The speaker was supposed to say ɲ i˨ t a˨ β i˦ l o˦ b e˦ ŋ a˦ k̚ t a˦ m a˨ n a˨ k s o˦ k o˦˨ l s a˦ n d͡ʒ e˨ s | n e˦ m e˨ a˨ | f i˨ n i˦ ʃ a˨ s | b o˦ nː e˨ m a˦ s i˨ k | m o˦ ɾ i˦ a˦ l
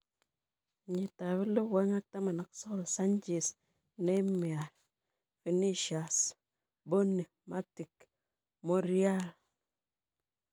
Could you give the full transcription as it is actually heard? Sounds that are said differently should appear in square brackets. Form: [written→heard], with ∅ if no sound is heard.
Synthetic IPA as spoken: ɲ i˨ t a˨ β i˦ l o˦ [b→w] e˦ ŋ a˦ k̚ t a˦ m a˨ n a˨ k s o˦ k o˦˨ l s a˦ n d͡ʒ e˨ s | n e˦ m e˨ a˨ | f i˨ n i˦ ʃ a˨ s | b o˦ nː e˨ m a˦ [s→t] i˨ k | m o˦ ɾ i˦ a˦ l